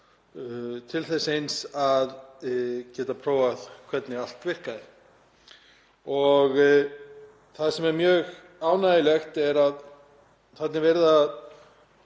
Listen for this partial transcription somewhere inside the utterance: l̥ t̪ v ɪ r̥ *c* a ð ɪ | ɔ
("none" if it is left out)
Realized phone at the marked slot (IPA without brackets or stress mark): k